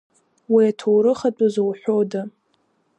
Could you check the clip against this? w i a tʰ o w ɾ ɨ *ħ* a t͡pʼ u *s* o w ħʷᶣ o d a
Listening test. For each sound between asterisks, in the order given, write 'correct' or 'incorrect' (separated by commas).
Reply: incorrect, incorrect